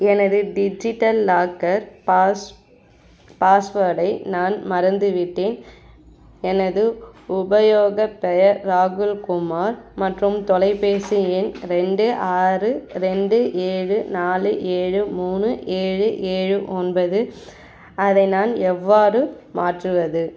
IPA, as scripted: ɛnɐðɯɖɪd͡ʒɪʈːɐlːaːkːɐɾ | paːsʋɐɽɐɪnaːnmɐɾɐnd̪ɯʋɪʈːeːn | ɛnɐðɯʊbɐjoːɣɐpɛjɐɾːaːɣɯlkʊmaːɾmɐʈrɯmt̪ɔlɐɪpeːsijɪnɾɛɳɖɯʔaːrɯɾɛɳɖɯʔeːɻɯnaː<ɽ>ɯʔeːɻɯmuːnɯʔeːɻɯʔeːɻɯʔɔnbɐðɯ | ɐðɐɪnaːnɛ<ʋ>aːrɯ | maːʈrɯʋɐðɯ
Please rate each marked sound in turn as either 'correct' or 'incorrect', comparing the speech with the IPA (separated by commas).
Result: incorrect, incorrect